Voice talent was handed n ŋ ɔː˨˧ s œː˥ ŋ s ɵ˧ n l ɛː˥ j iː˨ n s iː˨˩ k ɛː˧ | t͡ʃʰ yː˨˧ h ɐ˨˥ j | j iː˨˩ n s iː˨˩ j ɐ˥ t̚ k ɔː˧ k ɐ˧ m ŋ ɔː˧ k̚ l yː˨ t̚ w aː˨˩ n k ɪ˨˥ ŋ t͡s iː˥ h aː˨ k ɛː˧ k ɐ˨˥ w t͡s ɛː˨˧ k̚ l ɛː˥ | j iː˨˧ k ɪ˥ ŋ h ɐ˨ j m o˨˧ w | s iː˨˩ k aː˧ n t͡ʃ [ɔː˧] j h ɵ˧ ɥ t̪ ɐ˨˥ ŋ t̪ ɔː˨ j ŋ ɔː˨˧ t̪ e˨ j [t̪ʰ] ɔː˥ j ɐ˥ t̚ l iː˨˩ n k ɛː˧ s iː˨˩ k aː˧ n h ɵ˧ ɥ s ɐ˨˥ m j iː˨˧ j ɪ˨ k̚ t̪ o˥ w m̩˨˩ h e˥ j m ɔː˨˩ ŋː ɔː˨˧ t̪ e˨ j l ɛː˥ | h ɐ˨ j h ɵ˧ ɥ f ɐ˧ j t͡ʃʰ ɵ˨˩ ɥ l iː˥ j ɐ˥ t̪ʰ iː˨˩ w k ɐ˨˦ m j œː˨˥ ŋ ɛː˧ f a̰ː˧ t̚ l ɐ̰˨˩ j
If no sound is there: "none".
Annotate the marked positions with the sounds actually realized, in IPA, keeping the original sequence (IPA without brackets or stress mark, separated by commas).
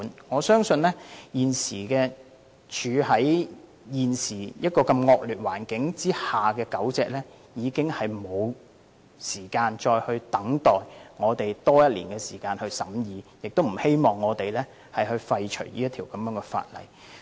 ɔː˧, t̪